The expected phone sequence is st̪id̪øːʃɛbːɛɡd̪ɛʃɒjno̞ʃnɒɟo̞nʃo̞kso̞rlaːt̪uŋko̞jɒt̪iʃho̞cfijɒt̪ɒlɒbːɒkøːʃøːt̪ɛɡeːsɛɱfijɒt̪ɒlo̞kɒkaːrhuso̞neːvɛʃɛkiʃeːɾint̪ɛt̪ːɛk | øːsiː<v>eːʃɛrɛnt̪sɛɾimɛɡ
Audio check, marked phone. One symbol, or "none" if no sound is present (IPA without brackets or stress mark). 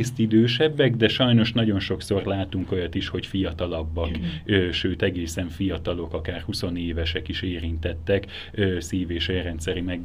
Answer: v